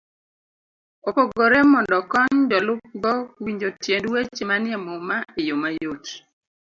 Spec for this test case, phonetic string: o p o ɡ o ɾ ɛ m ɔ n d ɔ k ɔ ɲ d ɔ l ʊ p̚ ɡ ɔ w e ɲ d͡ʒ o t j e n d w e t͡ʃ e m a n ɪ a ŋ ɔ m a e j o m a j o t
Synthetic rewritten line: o p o ɡ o ɾ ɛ m ɔ n d ɔ k ɔ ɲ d ɔ l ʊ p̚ ɡ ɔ w i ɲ d͡ʒ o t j e n d w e t͡ʃ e m a n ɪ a m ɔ m a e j o m a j o t